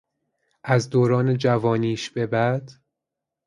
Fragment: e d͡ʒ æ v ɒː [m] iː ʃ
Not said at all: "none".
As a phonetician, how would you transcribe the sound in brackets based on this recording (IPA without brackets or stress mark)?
n